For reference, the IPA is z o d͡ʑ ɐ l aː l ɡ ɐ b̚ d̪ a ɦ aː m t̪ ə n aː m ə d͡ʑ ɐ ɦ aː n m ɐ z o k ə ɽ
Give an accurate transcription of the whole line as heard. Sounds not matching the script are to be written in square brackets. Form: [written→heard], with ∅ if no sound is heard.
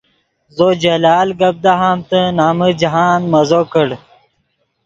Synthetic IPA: z o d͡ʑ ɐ l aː l ɡ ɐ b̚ d̪ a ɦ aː m t̪ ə n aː m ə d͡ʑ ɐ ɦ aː n m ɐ z o k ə ɽ